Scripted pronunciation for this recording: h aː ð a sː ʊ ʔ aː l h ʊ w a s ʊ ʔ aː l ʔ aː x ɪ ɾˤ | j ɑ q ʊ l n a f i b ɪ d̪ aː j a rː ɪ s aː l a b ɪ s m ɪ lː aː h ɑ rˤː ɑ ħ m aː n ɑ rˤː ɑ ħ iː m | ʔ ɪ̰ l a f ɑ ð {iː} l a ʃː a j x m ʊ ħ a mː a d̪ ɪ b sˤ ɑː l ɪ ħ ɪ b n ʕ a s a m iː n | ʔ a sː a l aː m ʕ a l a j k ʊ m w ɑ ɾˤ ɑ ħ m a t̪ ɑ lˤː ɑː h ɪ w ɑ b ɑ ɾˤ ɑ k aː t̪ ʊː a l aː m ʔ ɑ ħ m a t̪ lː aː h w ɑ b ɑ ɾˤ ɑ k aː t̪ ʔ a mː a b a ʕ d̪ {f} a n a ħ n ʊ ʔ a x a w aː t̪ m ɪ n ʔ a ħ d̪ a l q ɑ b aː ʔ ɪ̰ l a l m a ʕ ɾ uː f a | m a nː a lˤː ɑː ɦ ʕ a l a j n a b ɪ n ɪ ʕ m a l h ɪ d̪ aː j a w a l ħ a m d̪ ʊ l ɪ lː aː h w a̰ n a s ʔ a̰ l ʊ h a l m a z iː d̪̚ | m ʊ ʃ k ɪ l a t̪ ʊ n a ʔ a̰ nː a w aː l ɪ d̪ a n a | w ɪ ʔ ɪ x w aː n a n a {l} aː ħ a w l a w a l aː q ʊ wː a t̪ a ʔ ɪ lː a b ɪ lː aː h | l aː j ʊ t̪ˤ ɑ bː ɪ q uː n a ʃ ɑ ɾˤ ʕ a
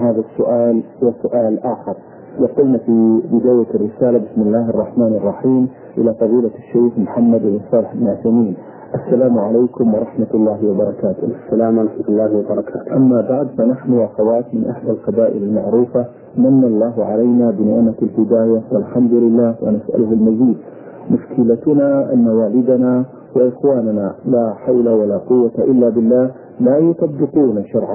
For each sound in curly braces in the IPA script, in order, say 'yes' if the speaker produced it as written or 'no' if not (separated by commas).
yes, yes, yes